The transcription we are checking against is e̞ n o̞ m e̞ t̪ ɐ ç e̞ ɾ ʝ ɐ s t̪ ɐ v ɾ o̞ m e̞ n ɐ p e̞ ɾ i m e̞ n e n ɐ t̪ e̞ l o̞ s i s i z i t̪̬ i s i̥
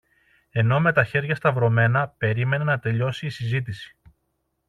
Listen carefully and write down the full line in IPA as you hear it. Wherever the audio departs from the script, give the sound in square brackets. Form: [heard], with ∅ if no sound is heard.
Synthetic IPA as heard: e̞ n o̞ m e̞ t̪ ɐ ç e̞ ɾ ʝ ɐ s t̪ ɐ v ɾ o̞ m e̞ n ɐ p e̞ ɾ i m e̞ n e n ɐ t̪ e̞ [ʎ] o̞ s [iː] s i z i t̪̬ i s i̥